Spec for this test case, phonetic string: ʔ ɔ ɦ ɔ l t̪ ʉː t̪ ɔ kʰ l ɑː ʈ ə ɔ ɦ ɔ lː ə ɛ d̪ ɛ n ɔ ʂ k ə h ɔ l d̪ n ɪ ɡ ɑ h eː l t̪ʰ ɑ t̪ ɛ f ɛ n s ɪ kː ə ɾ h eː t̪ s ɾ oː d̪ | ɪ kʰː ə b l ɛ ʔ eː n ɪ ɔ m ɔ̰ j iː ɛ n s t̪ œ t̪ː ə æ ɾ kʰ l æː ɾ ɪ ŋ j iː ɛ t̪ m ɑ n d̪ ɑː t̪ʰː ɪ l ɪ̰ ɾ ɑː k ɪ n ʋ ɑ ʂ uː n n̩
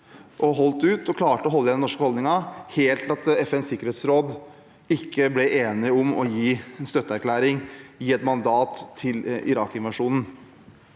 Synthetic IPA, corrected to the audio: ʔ ɔ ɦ ɔ l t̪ ʉː t̪ ɔ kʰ l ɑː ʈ ə ɔ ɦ ɔ lː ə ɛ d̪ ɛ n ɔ ʂ k ə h ɔ l d̪ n ɪ ŋ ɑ h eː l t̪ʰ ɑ t̪ ɛ f ɛ n s ɪ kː ə ɾ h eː t̪ s ɾ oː d̪ | ɪ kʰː ə b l ɛ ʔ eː n ɪ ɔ m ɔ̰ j iː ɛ n s t̪ œ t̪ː ə æ ɾ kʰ l æː ɾ ɪ ŋ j iː ɛ t̪ m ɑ n d̪ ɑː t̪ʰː ɪ l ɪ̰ ɾ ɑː k ɪ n ʋ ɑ ʂ uː n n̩

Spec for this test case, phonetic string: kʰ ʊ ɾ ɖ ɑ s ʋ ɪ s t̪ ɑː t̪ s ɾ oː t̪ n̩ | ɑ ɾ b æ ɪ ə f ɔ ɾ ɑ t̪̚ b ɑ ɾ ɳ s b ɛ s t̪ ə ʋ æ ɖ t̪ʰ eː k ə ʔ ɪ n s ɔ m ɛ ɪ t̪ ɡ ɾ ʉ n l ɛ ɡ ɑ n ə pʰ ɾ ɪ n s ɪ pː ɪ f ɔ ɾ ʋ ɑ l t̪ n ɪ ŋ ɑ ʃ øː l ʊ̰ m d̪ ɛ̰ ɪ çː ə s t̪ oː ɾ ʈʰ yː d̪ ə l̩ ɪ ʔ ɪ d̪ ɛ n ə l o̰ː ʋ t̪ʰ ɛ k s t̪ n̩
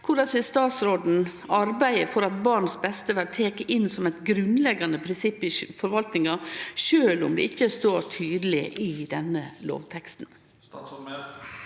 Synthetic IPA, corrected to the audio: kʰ ʊ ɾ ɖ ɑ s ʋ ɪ s t̪ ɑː t̪ s ɾ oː d̪ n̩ | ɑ ɾ b æ ɪ ə f ɔ ɾ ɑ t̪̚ b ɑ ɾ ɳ s b ɛ s t̪ ə ʋ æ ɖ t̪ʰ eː k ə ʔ ɪ n s ɔ m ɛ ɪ t̪ ɡ ɾ ʉ n l ɛ ɡ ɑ n ə pʰ ɾ ɪ n s ɪ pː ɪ f ɔ ɾ ʋ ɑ l t̪ n ɪ ŋ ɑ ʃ øː l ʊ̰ m d̪ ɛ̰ ɪ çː ə s t̪ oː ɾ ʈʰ yː d̪ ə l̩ ɪ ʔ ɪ d̪ ɛ n ə l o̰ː ʋ t̪ʰ ɛ k s t̪ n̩

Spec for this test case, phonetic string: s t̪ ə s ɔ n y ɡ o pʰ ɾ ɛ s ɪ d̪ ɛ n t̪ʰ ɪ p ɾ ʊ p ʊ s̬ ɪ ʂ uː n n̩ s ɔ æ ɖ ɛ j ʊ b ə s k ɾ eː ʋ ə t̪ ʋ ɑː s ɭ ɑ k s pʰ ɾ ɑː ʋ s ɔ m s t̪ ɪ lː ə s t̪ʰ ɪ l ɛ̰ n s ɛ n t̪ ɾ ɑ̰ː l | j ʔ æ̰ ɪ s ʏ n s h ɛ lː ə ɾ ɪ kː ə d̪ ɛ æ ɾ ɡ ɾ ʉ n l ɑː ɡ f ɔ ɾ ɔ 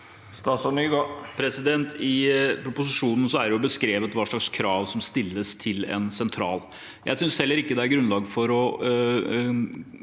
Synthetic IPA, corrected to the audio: s t̪ ɑ s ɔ n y ɡ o pʰ ɾ ɛ s ɪ d̪ ɛ n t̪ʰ ɪ p ɾ ʊ p ʊ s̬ ɪ ʂ uː n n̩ s ɔ æ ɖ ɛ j ʊ b ə s k ɾ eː ʋ ə t̪ ʋ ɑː ʂ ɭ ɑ k s kʰ ɾ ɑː ʋ s ɔ m s t̪ ɪ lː ə s t̪ʰ ɪ l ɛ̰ n s ɛ n t̪ʰ ɾ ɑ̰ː l | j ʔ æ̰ ɪ s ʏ n s h ɛ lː ə ɾ ɪ kː ə d̪ ɛ æ ɾ ɡ ɾ ʉ n l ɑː ɡ f ɔ ɾ ɔ

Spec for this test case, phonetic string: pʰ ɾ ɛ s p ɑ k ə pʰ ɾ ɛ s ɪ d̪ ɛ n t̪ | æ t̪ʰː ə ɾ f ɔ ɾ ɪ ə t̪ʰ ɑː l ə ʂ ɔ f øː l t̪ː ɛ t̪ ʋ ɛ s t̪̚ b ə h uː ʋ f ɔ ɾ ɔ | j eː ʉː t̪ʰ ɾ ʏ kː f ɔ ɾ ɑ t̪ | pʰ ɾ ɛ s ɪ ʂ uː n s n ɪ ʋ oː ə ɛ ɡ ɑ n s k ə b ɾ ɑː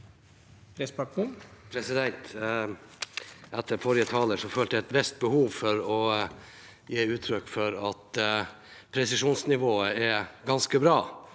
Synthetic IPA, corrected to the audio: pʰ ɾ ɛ s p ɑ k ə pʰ ɾ ɛ s ɪ d̪ ɛ n t̪ | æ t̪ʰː ə ɾ f ɔ ɾ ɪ ə t̪ʰ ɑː l ə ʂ ɔ f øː l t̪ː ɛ t̪ ʋ ɛ s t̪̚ b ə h uː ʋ f ɔ ɾ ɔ | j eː ʉː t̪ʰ ɾ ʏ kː f ɔ ɾ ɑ t̪ | pʰ ɾ ɛ s ɪ ʂ uː n s n ɪ ʋ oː ə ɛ ɡ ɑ n s k ə b ɾ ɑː

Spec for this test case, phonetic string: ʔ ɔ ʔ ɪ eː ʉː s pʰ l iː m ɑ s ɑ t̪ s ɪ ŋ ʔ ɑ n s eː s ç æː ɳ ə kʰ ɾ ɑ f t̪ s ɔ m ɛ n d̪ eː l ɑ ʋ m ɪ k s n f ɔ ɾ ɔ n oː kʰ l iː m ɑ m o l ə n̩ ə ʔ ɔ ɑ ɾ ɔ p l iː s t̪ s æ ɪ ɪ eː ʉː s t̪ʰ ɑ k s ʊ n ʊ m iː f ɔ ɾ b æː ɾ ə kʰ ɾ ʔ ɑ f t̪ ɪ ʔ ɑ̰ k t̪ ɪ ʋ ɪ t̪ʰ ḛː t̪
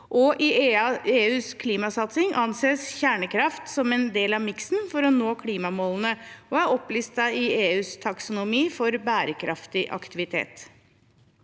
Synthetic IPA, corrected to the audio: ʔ ɔ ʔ ɪ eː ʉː s kʰ l iː m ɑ s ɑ t̪ s ɪ ŋ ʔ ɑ n s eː s ç æː ɳ ə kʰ ɾ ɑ f t̪ s ɔ m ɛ n d̪ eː l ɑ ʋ m ɪ k s n f ɔ ɾ ɔ n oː kʰ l iː m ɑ m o l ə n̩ ə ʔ ɔ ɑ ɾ ɔ p l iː s t̪ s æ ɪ ɪ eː ʉː s t̪ʰ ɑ k s ʊ n ʊ m iː f ɔ ɾ b æː ɾ ə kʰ ɾ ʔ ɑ f t̪ ɪ ʔ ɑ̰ k t̪ ɪ ʋ ɪ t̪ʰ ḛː t̪

